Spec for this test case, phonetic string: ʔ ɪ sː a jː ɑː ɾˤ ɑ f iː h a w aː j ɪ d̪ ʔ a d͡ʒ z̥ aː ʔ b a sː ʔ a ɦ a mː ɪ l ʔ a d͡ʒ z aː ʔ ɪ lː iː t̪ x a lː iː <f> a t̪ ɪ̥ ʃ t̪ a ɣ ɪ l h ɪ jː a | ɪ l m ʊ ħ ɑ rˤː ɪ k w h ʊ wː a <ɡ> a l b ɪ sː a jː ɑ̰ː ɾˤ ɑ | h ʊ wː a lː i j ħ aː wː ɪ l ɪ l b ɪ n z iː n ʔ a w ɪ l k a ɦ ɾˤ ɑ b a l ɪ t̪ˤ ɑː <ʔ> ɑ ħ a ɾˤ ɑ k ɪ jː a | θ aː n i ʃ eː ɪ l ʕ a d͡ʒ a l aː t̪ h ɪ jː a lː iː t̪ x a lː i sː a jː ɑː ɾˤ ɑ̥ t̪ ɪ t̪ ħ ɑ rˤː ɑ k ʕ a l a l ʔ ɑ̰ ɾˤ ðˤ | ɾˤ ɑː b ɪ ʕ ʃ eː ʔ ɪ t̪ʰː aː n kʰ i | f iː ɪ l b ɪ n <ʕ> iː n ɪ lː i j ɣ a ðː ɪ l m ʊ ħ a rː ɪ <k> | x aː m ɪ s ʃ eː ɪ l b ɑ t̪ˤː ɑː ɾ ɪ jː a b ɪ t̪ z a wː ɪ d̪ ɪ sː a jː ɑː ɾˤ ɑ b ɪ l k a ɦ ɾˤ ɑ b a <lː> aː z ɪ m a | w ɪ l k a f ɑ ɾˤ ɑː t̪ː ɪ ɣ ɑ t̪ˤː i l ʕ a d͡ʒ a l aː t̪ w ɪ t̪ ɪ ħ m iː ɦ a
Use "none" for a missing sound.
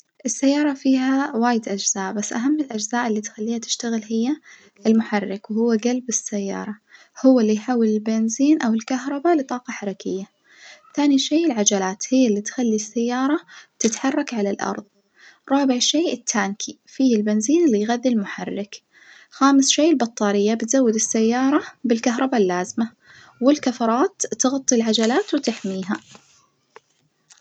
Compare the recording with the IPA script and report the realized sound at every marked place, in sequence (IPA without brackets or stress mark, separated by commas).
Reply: h, ɡ, q, z, k, lː